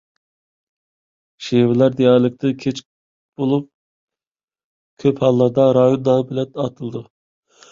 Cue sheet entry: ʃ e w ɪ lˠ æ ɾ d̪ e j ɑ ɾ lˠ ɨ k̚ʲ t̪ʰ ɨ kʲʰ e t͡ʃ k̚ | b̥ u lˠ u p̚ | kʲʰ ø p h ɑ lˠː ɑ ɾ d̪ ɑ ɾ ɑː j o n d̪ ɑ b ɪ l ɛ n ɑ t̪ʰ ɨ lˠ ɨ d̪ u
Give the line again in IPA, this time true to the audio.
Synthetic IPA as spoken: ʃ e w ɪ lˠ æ ɾ d̪ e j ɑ ɾ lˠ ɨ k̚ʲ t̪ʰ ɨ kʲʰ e t͡ʃ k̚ | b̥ o lˠ u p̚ | kʲʰ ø p h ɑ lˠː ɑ ɾ d̪ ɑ ɾ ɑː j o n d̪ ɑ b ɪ l ɛ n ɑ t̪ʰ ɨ lˠ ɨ d̪ u